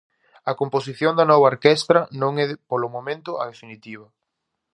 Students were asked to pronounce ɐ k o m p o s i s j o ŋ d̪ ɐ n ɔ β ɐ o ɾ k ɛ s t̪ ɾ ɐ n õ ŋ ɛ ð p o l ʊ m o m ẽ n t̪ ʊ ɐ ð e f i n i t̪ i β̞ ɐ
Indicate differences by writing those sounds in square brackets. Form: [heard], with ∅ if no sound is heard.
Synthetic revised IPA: ɐ k o m p o s i [θ] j o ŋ d̪ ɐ n ɔ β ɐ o ɾ k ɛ s t̪ ɾ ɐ n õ ŋ ɛ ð p o l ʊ m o m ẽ n t̪ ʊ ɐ ð e f i n i t̪ i β̞ ɐ